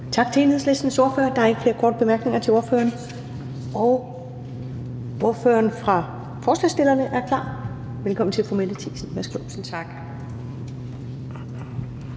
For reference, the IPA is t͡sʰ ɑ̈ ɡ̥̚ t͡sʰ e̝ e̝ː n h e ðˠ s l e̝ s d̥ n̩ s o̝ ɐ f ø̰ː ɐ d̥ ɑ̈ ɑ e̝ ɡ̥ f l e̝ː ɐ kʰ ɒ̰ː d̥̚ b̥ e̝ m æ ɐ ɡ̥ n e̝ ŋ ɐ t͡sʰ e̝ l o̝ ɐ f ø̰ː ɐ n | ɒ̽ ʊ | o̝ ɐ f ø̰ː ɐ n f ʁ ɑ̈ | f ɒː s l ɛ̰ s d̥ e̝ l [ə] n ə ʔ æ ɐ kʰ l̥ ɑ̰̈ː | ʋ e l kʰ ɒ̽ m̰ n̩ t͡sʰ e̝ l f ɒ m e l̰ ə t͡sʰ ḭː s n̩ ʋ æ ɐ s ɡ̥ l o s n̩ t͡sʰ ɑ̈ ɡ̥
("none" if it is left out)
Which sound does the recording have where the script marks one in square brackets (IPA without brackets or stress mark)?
ɐ